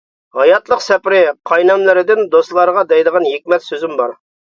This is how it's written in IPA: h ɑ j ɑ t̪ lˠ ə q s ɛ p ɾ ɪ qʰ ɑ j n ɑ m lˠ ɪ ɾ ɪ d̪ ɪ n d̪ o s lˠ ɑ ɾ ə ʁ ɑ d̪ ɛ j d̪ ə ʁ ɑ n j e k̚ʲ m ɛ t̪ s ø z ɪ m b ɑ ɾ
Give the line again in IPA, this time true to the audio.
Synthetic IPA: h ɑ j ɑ t̪ lˠ ə q s ɛ p ɾ ɪ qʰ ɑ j n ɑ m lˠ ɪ ɾ ɪ d̪ ɪ n d̪ o s lˠ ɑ ɾ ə ʁ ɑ d̪ ɛ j d̪ ə ʁ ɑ n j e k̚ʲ m ɛ t̪ s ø z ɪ m b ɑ ɾ